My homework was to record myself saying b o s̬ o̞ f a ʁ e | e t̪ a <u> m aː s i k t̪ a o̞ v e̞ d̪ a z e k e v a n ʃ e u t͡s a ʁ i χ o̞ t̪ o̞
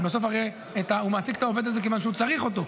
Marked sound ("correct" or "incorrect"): correct